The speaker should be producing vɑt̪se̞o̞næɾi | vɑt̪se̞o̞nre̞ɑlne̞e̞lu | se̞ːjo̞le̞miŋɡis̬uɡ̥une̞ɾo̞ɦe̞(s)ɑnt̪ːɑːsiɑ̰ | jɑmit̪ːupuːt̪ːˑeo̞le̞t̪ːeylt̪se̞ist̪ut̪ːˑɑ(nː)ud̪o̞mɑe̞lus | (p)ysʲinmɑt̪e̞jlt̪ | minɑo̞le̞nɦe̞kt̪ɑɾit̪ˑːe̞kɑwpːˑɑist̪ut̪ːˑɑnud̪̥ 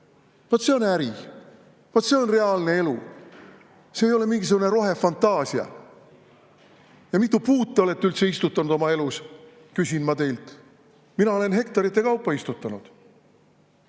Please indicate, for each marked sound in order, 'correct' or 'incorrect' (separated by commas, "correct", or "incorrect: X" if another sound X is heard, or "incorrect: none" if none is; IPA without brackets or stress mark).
incorrect: f, incorrect: n, incorrect: k